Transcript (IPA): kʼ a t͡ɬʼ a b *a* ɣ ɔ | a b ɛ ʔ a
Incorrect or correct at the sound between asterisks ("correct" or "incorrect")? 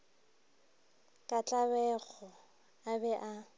incorrect